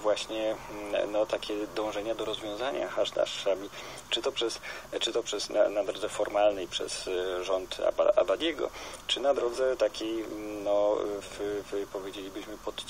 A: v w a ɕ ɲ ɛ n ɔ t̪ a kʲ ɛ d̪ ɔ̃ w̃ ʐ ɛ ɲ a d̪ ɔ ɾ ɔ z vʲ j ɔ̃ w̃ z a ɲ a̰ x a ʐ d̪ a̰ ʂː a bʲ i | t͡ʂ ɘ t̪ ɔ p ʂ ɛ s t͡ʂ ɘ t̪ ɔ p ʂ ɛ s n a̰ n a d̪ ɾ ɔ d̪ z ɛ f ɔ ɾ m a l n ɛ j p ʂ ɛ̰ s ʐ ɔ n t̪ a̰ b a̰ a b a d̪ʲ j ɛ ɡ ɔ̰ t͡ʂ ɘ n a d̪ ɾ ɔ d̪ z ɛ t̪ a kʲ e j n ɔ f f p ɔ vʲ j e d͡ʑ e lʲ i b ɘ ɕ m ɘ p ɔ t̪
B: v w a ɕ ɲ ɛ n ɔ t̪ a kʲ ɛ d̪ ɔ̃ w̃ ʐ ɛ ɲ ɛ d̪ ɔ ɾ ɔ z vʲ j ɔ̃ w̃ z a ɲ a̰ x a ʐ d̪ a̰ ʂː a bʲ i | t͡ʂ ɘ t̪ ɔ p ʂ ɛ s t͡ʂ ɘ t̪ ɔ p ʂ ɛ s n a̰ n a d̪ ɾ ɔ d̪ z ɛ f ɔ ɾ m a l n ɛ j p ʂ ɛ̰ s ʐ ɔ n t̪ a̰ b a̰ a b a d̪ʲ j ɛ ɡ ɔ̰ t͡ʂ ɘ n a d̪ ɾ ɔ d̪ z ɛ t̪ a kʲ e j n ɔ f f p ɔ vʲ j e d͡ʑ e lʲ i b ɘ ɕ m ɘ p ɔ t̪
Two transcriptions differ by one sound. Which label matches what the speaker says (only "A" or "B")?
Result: A